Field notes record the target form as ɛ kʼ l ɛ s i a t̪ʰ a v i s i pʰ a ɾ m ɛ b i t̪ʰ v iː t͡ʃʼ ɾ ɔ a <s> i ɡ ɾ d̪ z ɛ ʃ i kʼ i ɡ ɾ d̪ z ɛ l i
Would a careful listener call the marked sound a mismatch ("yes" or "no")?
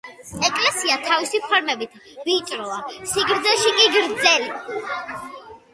no